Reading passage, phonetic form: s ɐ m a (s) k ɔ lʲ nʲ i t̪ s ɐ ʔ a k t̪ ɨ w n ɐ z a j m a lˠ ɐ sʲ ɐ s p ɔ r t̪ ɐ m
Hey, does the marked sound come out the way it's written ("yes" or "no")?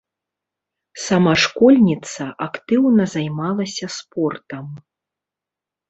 no